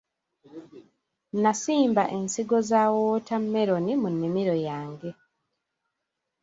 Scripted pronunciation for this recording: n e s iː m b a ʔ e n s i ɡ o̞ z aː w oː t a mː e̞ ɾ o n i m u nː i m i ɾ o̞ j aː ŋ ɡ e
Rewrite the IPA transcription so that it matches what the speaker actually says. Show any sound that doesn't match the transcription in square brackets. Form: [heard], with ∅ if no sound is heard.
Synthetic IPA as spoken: n [a] s iː m b a ʔ e n s i ɡ o̞ z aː w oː t a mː e̞ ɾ o n i m u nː i m i ɾ o̞ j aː ŋ ɡ e